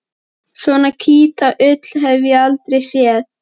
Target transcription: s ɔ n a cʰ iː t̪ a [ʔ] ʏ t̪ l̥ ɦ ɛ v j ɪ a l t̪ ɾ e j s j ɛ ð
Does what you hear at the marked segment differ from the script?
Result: no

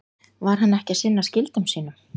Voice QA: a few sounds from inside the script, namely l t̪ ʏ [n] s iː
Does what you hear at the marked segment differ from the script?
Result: yes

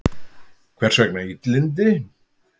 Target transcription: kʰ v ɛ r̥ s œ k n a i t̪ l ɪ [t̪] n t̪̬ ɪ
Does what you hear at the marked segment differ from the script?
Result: yes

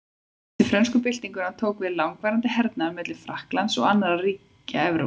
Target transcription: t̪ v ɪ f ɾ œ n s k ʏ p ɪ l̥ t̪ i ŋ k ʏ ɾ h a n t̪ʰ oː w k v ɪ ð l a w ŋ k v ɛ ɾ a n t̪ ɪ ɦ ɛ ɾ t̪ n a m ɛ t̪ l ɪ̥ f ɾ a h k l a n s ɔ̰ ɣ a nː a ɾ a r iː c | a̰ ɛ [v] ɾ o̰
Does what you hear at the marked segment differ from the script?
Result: no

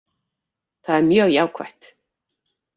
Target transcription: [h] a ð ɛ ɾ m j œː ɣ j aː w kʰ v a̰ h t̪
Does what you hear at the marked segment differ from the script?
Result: yes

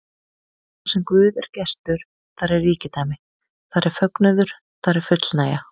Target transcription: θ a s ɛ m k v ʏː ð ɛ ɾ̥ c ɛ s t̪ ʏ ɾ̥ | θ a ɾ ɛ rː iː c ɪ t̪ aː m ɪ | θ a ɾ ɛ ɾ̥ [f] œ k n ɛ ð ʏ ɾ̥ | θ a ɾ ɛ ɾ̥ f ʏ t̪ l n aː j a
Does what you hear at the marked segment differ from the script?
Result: no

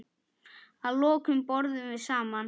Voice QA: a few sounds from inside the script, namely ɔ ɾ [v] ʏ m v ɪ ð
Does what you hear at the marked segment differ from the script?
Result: yes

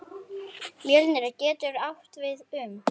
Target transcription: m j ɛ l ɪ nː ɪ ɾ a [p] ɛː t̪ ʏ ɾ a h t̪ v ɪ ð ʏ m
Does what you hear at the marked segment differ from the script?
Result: yes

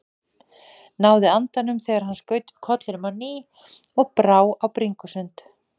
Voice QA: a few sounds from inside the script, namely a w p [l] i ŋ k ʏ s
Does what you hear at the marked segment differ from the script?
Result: yes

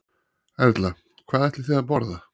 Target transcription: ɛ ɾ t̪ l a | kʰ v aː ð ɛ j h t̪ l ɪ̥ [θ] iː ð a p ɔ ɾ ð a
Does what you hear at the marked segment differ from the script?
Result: no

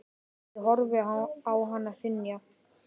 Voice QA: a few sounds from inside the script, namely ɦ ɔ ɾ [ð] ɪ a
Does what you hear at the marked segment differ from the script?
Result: yes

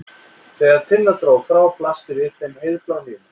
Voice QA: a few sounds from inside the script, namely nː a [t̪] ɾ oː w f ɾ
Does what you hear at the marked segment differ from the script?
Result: no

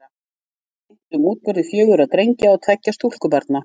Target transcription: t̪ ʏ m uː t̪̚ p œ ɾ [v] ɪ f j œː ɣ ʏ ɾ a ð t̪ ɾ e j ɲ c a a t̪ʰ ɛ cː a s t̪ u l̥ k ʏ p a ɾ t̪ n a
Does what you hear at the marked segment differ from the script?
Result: yes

